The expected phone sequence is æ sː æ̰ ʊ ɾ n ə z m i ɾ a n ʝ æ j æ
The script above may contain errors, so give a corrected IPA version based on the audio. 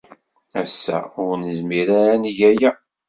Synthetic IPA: æ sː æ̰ ʊ ɾ n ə z m i ɾ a n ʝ æ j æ